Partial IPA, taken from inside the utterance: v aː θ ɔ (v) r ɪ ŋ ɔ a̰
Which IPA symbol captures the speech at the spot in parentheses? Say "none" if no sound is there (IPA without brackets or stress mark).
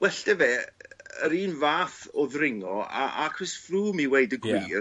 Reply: ð